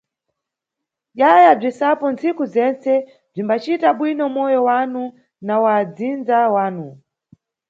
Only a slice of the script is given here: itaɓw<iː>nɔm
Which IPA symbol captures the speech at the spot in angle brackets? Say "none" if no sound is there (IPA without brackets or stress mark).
i